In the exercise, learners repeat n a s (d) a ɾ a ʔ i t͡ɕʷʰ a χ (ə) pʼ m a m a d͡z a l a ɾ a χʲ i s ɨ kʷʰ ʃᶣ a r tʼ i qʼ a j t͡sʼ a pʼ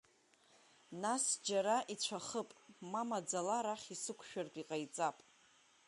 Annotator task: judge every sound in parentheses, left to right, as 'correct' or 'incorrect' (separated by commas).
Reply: incorrect, correct